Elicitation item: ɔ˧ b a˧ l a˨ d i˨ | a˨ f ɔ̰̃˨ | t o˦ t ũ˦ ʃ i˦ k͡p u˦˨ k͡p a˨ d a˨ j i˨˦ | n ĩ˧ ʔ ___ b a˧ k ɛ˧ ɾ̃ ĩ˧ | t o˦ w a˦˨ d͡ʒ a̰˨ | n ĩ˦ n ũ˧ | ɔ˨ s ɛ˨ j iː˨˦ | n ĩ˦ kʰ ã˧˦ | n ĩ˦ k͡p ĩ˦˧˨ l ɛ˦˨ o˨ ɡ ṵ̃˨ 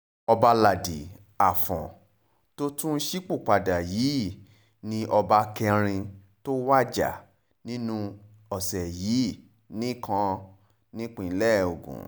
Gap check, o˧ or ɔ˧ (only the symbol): ɔ˧